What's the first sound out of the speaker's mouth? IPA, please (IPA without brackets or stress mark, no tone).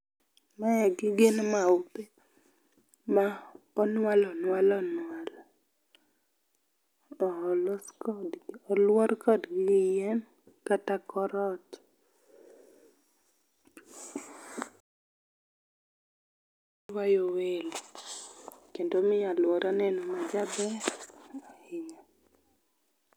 m